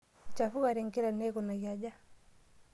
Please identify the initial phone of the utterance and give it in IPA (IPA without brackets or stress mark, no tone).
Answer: t͡ʃ